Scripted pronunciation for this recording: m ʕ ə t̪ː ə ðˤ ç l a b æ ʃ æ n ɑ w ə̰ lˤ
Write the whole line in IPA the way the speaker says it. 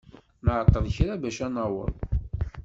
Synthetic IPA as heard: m ʕ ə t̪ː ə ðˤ ç ɾ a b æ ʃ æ n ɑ w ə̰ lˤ